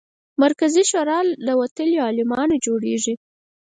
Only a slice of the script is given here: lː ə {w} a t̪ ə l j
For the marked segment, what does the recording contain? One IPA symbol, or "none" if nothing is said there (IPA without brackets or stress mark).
w